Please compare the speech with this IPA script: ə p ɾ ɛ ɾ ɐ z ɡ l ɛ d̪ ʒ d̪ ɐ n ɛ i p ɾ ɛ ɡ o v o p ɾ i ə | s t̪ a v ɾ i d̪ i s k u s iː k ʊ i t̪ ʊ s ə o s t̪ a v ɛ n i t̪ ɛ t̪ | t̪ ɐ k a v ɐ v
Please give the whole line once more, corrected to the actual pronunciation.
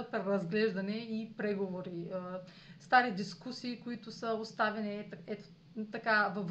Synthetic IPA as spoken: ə p ɾ ɛ ɾ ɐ z ɡ l ɛ ʒ d̪ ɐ n ɛ i p ɾ ɛ ɡ o v o ɾ i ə | s t̪ a ɾ i d̪ i s k u s iː k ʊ i t̪ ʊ s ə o s t̪ a v ɛ n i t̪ ɛ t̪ | t̪ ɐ k a v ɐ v